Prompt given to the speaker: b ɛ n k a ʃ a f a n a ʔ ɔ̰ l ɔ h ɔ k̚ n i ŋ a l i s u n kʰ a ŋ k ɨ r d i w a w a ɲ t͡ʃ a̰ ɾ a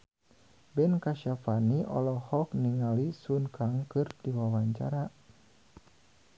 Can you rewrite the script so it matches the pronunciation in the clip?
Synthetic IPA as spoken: b ɛ n k a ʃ a f a n i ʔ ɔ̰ l ɔ h ɔ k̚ n i ŋ a l i s u n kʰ a ŋ k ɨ r d i w a w a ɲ t͡ʃ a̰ ɾ a